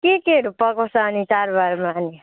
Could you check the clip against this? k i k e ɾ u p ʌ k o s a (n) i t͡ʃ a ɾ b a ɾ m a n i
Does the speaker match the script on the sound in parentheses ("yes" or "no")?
yes